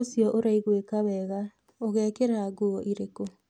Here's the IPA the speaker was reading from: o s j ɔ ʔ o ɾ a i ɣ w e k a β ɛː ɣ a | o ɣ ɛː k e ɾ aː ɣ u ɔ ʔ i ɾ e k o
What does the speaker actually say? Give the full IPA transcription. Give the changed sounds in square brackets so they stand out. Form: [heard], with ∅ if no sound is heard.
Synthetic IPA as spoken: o s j ɔ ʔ o ɾ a i ɣ w e k a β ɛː ɣ a | o ɣ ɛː k e ɾ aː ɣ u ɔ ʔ i ɾ e k o